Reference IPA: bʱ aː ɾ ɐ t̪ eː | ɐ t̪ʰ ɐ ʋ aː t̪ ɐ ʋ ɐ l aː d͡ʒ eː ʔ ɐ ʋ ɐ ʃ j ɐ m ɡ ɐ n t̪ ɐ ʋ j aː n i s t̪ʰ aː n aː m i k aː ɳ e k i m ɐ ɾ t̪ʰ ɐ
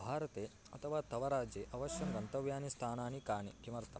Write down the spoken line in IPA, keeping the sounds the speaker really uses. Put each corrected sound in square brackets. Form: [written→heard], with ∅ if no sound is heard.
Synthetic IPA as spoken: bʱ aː ɾ ɐ t̪ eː | ɐ t̪ʰ ɐ ʋ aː t̪ ɐ ʋ ɐ [l→ɾ] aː d͡ʒ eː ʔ ɐ ʋ ɐ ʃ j ɐ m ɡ ɐ n t̪ ɐ ʋ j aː n i s t̪ʰ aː n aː [m→n] i k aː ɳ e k i m ɐ ɾ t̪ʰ ɐ

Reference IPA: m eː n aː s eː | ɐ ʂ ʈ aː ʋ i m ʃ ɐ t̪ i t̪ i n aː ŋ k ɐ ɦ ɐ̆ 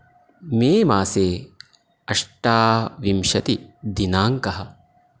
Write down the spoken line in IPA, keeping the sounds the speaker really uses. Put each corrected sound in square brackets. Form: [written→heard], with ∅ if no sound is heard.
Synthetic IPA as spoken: m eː [n→m] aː s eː | ɐ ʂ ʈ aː ʋ i m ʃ ɐ t̪ i [t̪→d̪] i n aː ŋ k ɐ ɦ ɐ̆

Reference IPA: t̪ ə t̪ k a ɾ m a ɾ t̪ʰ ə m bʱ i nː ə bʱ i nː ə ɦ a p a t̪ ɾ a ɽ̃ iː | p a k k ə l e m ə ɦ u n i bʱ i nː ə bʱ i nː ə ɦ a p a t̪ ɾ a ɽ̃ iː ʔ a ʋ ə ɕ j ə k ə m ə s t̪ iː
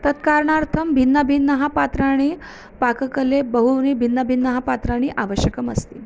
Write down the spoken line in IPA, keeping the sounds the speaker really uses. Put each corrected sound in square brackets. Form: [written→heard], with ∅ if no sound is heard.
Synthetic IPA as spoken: t̪ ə t̪ k a ɾ [m→ɳ] a ɾ t̪ʰ ə m bʱ i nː ə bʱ i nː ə ɦ a p a t̪ ɾ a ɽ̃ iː | p a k k ə l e [m→b] ə ɦ u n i bʱ i nː ə bʱ i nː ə ɦ a p a t̪ ɾ a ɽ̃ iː ʔ a ʋ ə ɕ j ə k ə m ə s t̪ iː

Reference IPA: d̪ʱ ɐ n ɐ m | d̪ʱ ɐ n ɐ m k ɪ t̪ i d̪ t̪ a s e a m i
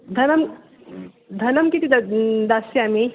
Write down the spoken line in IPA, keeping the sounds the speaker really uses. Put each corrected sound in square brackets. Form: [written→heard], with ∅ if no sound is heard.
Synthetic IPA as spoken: d̪ʱ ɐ n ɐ m | d̪ʱ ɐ n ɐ m k [ɪ→i] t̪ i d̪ [t̪→d̪] a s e a m i

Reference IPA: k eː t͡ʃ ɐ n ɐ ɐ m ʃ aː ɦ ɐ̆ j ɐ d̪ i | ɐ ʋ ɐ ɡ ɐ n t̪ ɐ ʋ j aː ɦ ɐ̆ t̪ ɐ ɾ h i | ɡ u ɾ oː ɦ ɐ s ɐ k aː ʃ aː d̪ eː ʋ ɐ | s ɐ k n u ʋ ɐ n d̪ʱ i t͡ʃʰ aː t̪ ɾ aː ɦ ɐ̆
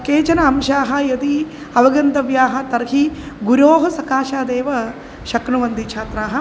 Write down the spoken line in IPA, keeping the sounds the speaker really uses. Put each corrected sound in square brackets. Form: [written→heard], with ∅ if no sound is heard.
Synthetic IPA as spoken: k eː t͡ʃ ɐ n ɐ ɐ m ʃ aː ɦ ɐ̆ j ɐ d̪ i | ɐ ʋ ɐ ɡ ɐ n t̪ ɐ ʋ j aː ɦ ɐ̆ t̪ ɐ ɾ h i | ɡ u ɾ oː ɦ ɐ s ɐ k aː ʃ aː d̪ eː ʋ ɐ | [s→ʃ] ɐ k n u ʋ ɐ n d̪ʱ i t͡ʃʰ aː t̪ ɾ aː ɦ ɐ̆

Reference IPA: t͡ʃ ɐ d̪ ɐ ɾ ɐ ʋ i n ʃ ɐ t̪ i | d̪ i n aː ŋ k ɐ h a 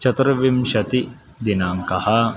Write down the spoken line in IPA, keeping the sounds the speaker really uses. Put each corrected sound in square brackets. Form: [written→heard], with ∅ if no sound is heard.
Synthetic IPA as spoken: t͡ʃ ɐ [d̪→t̪] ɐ ɾ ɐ ʋ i [n→m] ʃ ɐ t̪ i | d̪ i n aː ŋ k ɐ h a

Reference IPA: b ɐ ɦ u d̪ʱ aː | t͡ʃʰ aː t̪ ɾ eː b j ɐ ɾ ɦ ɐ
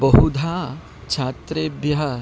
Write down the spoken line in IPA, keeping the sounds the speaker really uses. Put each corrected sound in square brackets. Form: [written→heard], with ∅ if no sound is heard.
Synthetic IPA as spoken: b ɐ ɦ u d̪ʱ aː | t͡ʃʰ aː t̪ ɾ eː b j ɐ [ɾ→∅] ɦ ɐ

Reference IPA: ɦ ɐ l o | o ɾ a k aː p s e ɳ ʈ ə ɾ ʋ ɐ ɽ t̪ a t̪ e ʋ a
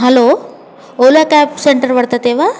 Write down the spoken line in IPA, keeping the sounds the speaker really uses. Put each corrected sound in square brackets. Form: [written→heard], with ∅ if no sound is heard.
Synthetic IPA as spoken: ɦ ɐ l o | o [ɾ→l] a k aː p s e ɳ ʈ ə ɾ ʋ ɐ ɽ t̪ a t̪ e ʋ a

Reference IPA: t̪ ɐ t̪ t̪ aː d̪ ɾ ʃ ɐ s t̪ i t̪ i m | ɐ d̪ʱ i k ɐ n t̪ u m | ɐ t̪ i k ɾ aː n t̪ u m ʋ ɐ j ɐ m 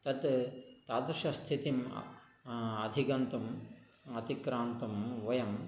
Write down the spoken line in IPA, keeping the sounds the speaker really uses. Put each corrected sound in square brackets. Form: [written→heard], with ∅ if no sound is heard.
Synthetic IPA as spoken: t̪ ɐ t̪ t̪ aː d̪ ɾ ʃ ɐ s [t̪→t̪ʰ] i t̪ i m | ɐ d̪ʱ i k ɐ n t̪ u m | ɐ t̪ i k ɾ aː n t̪ u m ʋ ɐ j ɐ m

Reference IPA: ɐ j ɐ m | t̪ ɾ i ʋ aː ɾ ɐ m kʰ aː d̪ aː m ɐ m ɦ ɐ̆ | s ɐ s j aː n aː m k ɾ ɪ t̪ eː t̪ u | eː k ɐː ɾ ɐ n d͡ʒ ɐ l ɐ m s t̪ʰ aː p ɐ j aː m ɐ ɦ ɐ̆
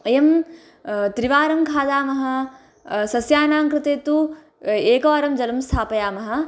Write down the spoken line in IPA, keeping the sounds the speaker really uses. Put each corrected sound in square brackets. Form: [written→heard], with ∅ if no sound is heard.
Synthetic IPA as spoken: ɐ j ɐ m | t̪ ɾ i ʋ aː ɾ ɐ m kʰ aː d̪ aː m ɐ [m→∅] ɦ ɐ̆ | s ɐ s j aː n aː [m→ŋ] k ɾ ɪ t̪ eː t̪ u | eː k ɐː ɾ ɐ [n→m] d͡ʒ ɐ l ɐ m s t̪ʰ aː p ɐ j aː m ɐ ɦ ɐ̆

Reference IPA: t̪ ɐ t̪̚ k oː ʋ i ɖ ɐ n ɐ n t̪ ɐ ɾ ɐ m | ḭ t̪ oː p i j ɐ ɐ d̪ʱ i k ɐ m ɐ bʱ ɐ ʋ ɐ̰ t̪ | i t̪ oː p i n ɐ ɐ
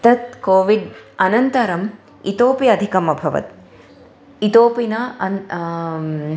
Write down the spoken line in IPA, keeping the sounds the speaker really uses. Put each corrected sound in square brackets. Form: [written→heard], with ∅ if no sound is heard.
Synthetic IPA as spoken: t̪ ɐ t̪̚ k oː ʋ i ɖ ɐ n ɐ n t̪ ɐ ɾ ɐ m | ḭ t̪ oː p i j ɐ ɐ d̪ʱ i k ɐ m ɐ bʱ ɐ ʋ ɐ̰ t̪ | i t̪ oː p i n ɐ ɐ

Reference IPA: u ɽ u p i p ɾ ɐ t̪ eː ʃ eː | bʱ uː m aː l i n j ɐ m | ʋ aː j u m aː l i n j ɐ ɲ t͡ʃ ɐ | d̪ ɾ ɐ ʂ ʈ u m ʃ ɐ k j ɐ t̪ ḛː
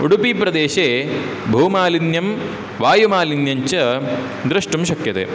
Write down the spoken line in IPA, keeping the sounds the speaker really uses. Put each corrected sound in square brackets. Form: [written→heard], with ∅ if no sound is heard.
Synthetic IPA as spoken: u ɽ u p i p ɾ ɐ [t̪→d̪] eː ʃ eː | bʱ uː m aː l i n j ɐ m | ʋ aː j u m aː l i n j ɐ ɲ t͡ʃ ɐ | d̪ ɾ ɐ ʂ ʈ u m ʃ ɐ k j ɐ t̪ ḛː

